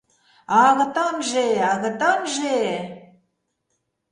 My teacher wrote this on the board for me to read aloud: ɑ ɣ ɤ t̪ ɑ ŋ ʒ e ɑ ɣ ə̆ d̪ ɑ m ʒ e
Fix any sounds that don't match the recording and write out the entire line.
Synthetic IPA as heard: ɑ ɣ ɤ t̪ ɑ m ʒ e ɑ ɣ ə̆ t̪ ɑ m ʒ e